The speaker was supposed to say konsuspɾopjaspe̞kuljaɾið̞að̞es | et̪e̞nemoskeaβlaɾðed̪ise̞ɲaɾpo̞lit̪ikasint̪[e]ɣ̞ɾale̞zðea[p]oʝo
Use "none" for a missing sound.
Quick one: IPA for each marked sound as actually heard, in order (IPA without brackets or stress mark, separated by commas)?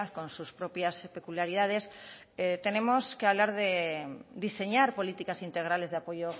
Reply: e, p